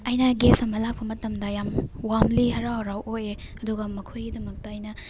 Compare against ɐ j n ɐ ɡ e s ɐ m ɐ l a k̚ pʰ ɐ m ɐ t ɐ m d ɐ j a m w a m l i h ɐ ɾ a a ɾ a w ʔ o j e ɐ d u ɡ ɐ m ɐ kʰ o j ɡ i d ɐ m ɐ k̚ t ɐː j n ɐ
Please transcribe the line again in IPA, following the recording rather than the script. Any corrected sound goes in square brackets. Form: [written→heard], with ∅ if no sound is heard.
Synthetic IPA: ɐ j n ɐ ɡ e s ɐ m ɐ l a k̚ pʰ ɐ m ɐ t ɐ m d ɐ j a m w a m l i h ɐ ɾ a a ɾ a w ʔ o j e ɐ d u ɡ ɐ m ɐ kʰ o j ɡ i d ɐ m ɐ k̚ t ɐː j n ɐ